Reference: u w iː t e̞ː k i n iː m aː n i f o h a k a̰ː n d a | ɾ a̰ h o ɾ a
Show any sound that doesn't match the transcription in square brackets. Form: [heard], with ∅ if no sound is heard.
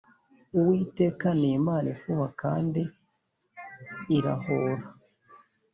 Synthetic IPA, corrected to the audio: u w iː t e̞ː k [a] n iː m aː n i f [u] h a k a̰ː n d [i] | ɾ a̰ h o ɾ a